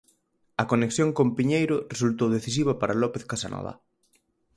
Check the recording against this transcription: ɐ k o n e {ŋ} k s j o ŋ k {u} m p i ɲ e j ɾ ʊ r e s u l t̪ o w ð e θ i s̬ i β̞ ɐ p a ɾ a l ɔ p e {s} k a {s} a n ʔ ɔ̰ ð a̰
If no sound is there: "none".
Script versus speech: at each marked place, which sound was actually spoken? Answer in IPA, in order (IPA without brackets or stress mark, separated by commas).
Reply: none, o, θ, s